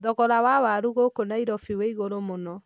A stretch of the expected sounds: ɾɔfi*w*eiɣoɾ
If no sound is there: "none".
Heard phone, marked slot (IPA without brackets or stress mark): w